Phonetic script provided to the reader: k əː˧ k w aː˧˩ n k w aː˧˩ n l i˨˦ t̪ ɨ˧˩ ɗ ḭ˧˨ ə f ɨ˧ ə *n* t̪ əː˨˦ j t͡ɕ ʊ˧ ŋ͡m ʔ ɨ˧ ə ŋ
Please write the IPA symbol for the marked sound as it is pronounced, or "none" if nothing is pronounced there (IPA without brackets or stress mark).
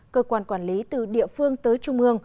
ŋ